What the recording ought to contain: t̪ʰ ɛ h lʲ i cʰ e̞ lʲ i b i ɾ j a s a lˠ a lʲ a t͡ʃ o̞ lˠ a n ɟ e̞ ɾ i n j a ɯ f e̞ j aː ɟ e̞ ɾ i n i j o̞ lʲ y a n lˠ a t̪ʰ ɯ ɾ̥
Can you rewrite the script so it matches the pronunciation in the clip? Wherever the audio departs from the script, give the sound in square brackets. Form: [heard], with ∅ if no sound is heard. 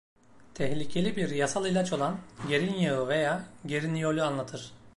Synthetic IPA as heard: t̪ʰ ɛ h lʲ i cʰ e̞ lʲ i b i ɾ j a s a lˠ [i] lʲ a t͡ʃ o̞ lˠ a n ɟ e̞ ɾ i n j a ɯ [v] e̞ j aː ɟ e̞ ɾ i n i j o̞ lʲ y a n lˠ a t̪ʰ ɯ ɾ̥